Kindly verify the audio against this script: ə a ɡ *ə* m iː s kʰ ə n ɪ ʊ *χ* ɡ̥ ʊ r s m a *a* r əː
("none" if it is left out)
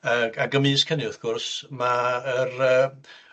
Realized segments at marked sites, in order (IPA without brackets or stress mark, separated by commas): ə, θ, ə